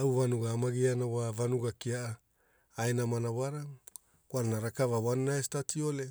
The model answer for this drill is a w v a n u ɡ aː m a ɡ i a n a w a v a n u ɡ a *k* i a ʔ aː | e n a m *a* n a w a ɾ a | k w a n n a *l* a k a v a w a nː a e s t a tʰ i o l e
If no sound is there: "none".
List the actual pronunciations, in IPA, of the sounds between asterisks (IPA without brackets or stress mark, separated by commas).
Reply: k, a, ɾ